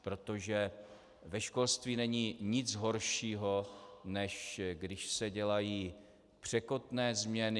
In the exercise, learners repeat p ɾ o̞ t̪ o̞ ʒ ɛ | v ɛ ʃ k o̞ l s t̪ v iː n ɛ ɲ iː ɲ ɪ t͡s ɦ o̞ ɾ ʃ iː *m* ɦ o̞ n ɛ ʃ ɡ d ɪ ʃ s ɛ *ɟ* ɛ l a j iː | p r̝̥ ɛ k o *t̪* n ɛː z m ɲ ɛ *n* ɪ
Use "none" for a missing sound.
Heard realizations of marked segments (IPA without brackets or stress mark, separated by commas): none, ɟ, t̪, n